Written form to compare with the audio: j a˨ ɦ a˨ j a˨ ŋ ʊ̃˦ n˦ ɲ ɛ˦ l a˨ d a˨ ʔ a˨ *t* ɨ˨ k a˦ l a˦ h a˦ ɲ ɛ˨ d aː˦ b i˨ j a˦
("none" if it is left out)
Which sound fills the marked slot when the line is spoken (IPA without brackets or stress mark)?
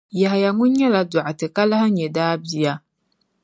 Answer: t